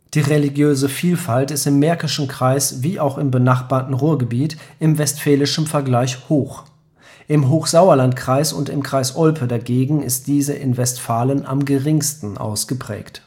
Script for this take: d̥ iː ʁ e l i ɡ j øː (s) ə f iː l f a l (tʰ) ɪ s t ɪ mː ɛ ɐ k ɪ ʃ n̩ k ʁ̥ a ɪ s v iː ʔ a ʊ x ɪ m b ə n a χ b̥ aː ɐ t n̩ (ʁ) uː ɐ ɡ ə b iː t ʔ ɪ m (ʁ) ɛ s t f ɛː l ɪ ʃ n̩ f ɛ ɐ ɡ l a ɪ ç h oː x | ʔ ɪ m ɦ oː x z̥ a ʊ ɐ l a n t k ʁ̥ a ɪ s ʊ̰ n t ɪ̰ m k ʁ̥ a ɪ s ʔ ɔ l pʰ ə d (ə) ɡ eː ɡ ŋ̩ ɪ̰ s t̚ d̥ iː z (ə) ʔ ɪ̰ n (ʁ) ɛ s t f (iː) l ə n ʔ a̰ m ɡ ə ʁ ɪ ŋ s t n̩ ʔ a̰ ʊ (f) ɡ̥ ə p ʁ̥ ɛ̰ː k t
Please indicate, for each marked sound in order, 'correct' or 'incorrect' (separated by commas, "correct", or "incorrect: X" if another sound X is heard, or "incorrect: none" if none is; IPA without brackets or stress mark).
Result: incorrect: z, incorrect: t, correct, incorrect: v, incorrect: a, correct, incorrect: v, incorrect: aː, incorrect: s